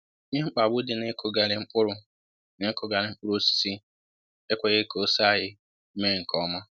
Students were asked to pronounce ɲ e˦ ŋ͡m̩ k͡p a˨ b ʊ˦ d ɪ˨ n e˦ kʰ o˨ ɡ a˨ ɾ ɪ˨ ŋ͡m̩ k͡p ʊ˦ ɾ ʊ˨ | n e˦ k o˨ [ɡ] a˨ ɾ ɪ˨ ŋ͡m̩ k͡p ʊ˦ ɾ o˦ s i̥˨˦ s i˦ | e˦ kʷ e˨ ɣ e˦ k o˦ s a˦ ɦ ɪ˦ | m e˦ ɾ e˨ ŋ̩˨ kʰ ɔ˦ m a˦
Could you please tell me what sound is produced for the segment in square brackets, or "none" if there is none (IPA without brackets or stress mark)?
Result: ɡ